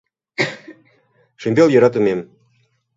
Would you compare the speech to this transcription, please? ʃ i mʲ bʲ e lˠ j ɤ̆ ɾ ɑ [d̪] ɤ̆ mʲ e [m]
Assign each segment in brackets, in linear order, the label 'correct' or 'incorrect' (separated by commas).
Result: incorrect, correct